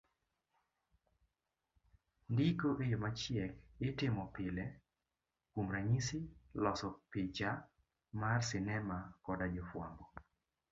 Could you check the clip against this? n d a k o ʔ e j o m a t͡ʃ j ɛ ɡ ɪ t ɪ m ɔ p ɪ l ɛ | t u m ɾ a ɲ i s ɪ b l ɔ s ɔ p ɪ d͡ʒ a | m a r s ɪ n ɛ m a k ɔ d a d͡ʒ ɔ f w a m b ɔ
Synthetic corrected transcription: n d i k o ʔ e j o m a t͡ʃ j ɛ k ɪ t ɪ m ɔ p ɪ l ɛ | k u m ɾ a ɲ i s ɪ l ɔ s ɔ p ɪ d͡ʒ a | m a r s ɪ n ɛ m a k ɔ d a d͡ʒ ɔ f w a m b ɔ